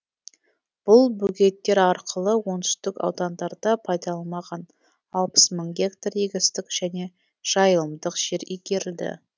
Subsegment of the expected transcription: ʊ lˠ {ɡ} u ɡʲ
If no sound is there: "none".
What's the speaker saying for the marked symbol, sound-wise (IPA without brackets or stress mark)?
b